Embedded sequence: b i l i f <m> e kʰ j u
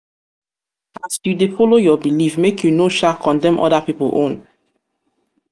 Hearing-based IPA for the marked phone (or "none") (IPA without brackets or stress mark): m